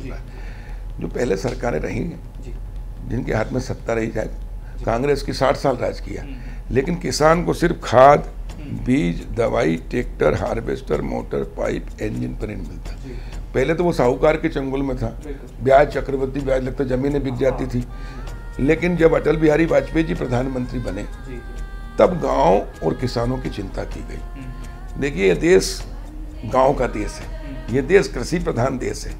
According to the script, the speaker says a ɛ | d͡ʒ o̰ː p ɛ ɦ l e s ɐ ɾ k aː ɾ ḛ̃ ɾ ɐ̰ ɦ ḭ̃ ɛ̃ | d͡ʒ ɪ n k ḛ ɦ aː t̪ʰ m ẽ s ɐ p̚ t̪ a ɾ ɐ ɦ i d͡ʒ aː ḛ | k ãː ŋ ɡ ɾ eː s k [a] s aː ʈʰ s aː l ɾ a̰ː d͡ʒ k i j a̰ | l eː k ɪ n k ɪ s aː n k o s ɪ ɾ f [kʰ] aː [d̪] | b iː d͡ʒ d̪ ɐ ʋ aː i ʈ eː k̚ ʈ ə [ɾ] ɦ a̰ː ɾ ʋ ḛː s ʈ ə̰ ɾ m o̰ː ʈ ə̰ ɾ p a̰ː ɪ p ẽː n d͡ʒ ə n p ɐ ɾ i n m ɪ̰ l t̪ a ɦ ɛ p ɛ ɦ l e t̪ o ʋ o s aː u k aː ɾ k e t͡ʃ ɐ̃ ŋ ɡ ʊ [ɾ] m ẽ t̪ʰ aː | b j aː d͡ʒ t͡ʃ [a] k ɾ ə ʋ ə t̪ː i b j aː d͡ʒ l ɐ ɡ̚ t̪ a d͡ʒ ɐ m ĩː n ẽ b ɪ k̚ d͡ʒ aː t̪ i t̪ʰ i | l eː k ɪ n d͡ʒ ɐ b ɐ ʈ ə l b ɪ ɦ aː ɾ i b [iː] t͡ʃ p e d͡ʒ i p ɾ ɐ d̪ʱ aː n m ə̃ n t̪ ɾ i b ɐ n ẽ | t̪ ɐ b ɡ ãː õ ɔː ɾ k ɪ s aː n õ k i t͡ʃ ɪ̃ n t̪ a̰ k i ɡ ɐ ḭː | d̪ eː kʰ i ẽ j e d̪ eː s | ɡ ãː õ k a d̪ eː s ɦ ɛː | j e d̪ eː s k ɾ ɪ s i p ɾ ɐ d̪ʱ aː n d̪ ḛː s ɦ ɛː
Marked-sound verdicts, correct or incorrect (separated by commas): incorrect, correct, correct, correct, incorrect, incorrect, incorrect